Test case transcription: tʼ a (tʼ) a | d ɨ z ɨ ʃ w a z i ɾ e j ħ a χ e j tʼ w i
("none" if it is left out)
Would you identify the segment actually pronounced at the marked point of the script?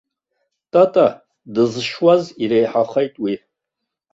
tʼ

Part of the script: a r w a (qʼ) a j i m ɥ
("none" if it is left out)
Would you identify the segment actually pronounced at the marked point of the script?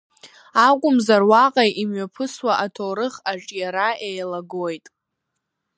qʼ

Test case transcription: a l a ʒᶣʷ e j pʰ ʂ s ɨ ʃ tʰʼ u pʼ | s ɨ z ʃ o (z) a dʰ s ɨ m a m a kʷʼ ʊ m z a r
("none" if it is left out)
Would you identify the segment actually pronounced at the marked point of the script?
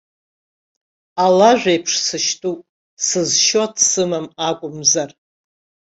none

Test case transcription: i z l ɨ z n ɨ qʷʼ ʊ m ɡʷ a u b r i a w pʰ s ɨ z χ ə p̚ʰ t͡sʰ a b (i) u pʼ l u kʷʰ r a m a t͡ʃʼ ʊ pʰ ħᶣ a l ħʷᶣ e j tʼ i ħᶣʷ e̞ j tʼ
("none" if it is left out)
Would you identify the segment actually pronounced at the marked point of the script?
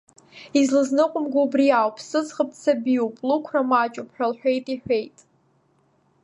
i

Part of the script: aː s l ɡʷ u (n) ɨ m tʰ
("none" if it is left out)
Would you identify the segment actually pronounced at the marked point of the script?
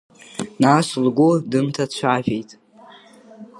d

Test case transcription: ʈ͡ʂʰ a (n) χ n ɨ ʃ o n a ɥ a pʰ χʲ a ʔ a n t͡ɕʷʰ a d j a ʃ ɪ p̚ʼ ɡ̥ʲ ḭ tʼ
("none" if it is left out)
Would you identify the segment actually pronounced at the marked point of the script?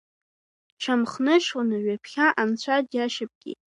m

